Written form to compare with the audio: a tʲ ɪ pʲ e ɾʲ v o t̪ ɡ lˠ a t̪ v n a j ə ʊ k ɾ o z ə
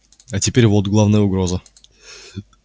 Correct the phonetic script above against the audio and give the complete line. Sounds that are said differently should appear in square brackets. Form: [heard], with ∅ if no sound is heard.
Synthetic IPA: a tʲ ɪ pʲ e ɾʲ v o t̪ ɡ lˠ a [∅] v n [ə] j ə ʊ [ɡ] ɾ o z ə

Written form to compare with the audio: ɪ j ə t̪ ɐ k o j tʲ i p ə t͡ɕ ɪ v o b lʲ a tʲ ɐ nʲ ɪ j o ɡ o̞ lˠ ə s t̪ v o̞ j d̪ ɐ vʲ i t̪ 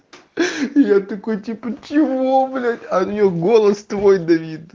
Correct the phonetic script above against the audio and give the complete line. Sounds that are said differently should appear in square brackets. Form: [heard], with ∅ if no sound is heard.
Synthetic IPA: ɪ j [a] t̪ ɐ k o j tʲ i p ə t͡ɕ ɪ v o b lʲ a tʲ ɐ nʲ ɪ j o ɡ o̞ lˠ ə s t̪ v o̞ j d̪ ɐ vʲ i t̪

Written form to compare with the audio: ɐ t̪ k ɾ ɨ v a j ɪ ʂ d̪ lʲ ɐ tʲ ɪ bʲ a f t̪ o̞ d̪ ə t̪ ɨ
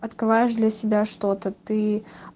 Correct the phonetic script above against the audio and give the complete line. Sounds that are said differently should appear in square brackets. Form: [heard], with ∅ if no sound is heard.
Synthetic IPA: ɐ t̪ k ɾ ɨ v a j ɪ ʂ d̪ lʲ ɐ [sʲ] ɪ bʲ a [ʂ] t̪ o̞ [t̪] ə t̪ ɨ

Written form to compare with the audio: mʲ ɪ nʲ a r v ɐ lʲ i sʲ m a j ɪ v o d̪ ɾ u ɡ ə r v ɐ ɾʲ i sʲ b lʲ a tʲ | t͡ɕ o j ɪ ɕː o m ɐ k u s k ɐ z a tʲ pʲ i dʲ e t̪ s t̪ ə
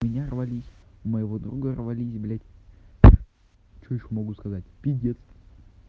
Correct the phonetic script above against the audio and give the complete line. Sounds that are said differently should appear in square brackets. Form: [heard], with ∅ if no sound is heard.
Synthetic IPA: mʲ ɪ nʲ a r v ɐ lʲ i sʲ m [ə] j ɪ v o d̪ ɾ u ɡ ə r v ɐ [lʲ] i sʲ b lʲ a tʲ | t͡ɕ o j ɪ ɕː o m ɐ [ɡ] u s k ɐ z a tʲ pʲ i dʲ e t̪ s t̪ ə

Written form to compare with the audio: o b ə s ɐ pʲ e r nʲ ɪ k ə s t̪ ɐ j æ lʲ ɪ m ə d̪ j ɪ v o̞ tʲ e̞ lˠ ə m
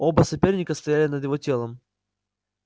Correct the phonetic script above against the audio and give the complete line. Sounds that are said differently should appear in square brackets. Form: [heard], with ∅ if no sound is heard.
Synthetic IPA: o b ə s ɐ pʲ e r nʲ ɪ k ə s t̪ ɐ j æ lʲ ɪ [n] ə d̪ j ɪ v o̞ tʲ e̞ lˠ ə m

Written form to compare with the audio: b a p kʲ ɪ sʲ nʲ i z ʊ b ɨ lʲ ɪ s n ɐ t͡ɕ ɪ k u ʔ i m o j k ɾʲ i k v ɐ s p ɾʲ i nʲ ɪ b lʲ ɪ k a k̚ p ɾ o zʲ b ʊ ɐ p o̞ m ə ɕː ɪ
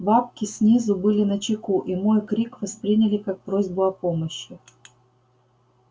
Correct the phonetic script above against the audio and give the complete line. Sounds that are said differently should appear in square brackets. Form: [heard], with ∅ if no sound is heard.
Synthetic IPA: b a p kʲ ɪ sʲ nʲ i z ʊ b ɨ lʲ ɪ [∅] n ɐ t͡ɕ ɪ k u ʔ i m o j k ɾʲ i k v ɐ s p ɾʲ i nʲ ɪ [∅] lʲ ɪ k a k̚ p ɾ o zʲ b ʊ ɐ p o̞ m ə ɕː ɪ

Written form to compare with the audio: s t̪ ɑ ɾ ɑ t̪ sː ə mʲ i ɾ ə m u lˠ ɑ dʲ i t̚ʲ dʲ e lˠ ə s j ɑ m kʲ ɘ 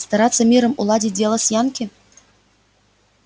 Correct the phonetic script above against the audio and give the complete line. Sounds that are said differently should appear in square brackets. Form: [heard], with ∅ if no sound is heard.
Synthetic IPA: s t̪ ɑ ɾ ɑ t̪ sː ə mʲ i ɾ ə m u lˠ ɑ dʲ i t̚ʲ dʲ e lˠ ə s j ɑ [n] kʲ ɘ

